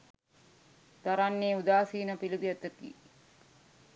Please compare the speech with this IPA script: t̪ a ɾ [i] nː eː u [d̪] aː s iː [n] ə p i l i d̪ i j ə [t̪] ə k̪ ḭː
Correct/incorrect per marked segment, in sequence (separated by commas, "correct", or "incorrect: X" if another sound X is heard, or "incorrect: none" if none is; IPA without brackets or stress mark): incorrect: a, correct, correct, correct